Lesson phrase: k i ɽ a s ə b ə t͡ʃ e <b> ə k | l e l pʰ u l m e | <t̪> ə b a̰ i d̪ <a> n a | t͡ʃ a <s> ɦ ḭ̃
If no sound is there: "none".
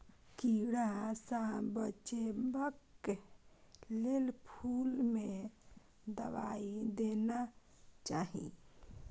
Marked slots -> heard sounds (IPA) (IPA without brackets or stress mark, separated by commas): b, d̪, e, none